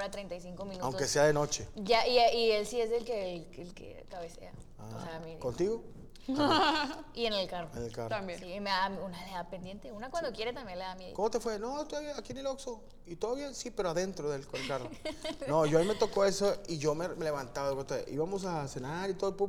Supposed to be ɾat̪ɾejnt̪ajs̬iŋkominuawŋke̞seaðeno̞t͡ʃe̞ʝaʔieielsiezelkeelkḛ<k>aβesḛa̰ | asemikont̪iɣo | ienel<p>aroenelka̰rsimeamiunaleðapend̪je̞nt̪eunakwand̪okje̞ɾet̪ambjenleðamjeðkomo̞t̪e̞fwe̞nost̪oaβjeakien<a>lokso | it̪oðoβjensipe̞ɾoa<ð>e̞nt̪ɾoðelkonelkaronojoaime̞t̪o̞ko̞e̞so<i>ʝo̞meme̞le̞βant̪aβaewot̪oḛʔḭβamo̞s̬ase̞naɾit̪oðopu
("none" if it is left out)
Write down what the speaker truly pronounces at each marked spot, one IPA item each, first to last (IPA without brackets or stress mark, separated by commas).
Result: k, k, e, ð, i